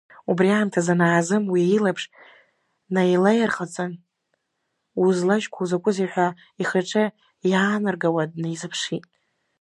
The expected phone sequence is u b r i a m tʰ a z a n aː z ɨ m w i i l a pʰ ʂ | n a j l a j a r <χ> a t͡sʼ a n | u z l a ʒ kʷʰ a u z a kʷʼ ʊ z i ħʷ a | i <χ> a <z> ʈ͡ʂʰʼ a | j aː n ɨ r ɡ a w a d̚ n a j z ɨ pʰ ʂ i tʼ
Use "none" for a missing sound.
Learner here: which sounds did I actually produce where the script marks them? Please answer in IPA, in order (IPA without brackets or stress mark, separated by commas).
χ, χ, none